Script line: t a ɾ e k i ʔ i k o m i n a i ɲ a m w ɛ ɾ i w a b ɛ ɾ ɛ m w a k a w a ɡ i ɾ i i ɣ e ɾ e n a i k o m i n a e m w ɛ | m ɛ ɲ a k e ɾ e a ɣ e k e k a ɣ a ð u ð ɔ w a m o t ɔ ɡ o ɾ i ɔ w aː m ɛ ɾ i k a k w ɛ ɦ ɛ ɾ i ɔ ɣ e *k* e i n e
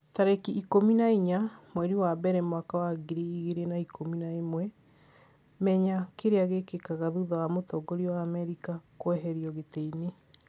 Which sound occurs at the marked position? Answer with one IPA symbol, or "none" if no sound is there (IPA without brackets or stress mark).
t